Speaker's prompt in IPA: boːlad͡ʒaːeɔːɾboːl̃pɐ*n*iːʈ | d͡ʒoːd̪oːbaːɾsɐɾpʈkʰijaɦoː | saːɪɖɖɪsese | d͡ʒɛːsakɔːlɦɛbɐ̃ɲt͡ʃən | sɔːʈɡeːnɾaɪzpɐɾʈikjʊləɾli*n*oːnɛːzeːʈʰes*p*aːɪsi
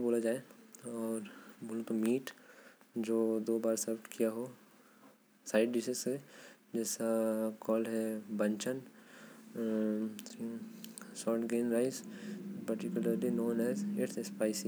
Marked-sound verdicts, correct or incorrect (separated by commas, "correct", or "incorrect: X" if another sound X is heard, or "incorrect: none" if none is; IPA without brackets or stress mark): incorrect: m, correct, correct